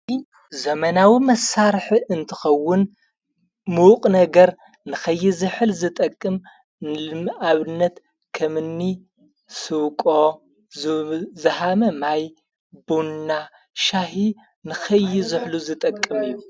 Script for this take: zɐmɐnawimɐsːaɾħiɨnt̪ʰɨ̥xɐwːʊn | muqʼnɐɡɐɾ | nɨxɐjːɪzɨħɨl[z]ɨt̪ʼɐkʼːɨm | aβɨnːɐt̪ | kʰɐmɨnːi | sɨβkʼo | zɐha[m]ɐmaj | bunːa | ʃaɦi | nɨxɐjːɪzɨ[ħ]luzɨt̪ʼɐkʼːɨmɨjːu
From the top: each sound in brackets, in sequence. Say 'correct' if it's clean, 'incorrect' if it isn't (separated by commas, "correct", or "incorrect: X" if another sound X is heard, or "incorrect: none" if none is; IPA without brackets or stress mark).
correct, correct, correct